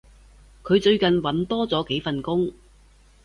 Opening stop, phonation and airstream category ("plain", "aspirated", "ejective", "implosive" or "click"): aspirated